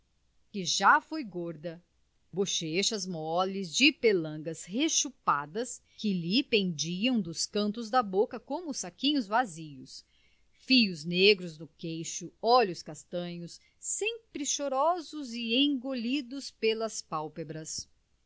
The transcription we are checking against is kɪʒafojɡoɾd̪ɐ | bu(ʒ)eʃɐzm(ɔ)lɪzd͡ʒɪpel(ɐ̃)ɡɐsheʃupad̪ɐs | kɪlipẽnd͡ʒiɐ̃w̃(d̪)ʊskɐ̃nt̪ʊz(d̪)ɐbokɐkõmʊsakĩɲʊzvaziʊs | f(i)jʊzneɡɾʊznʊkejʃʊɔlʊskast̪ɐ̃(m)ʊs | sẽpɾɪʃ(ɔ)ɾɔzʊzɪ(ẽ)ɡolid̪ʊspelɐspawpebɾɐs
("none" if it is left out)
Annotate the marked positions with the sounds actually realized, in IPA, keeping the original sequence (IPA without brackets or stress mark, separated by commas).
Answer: ʃ, ɔ, ɐ̃, d̪, d̪, i, ɲ, o, ẽ